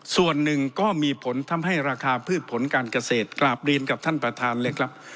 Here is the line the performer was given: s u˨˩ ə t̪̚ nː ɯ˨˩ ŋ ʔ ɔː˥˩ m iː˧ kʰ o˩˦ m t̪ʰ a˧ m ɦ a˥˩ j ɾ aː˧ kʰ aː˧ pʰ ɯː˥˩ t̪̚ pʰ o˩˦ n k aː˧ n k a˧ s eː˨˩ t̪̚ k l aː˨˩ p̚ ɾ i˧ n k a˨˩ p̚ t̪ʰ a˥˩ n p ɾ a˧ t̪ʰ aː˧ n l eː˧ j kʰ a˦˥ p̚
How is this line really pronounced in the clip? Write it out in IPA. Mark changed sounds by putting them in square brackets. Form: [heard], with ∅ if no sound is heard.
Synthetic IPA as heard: s u˨˩ ə [∅] nː ɯ˨˩ ŋ [k] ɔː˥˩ m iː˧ [pʰ] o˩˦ [n] t̪ʰ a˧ m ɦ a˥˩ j ɾ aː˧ kʰ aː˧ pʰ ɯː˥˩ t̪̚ pʰ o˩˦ n k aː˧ n k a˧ s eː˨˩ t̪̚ k l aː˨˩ p̚ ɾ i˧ n k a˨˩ p̚ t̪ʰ a˥˩ n p ɾ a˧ t̪ʰ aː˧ n l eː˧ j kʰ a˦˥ p̚